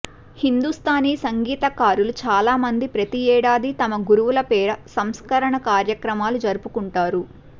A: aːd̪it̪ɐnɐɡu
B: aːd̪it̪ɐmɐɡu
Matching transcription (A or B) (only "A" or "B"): B